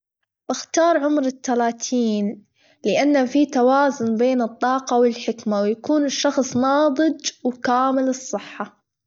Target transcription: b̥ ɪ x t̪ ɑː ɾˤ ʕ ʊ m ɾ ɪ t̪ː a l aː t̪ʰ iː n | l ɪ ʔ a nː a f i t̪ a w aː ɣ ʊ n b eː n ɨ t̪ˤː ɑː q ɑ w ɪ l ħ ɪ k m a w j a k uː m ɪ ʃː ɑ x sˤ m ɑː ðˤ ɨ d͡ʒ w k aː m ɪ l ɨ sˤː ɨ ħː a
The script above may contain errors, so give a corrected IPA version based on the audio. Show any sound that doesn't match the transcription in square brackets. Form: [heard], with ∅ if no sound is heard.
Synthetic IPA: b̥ ɪ x t̪ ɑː ɾˤ ʕ ʊ m ɾ ɪ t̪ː a l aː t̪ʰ iː n | l ɪ ʔ a nː a f i t̪ a w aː [z] ʊ n b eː n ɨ t̪ˤː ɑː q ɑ w ɪ l ħ ɪ k m a w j a k uː [n] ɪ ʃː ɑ x sˤ [n] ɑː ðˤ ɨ d͡ʒ w k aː m ɪ l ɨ sˤː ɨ ħː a

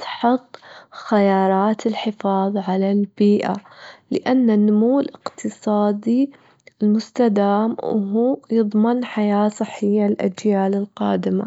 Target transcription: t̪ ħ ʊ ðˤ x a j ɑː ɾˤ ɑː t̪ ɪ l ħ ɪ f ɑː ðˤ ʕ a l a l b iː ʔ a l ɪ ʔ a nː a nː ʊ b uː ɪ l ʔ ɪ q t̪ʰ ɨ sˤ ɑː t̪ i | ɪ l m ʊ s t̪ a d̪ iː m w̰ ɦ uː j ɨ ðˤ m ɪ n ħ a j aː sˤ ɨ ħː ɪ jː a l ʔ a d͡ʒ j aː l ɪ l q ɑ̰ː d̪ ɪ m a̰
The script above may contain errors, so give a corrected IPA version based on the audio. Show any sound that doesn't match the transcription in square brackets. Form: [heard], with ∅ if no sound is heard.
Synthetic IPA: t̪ ħ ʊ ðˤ x a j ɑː ɾˤ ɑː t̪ ɪ l ħ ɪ f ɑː ðˤ ʕ a l a l b iː ʔ a l ɪ ʔ a nː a nː ʊ [m] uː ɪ l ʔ ɪ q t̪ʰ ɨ sˤ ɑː [d̪] i | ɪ l m ʊ s t̪ a d̪ [aː] m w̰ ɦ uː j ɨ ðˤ m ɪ n ħ a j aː sˤ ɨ ħː ɪ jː a l ʔ a d͡ʒ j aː l ɪ l q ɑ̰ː d̪ ɪ m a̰

